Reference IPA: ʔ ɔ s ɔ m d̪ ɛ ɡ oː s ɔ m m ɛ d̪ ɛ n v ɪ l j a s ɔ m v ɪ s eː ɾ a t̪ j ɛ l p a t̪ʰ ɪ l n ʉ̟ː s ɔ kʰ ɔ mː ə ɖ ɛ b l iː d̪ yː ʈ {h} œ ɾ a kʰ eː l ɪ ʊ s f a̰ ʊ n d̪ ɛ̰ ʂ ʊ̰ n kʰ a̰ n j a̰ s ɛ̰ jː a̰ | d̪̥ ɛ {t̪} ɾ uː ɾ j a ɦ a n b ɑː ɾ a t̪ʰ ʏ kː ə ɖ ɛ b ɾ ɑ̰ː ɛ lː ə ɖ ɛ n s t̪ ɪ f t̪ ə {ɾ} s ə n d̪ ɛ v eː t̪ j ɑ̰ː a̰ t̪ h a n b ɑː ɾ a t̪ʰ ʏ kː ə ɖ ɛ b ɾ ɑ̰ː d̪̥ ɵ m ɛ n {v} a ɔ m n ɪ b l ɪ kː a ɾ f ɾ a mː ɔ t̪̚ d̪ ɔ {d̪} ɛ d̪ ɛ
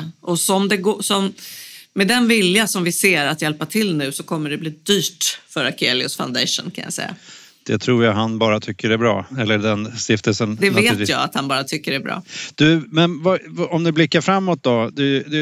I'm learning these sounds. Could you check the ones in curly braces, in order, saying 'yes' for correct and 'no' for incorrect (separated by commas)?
no, no, no, yes, yes